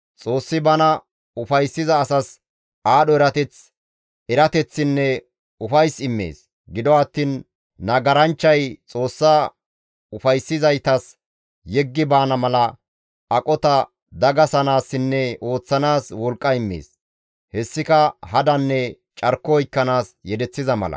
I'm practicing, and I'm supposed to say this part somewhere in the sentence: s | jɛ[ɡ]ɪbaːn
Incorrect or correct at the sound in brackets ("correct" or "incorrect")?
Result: incorrect